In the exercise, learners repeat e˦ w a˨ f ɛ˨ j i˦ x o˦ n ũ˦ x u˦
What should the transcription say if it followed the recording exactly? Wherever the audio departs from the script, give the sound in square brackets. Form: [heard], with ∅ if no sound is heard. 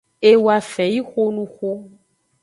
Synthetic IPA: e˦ w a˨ f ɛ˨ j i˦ x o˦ n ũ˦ x [o˦]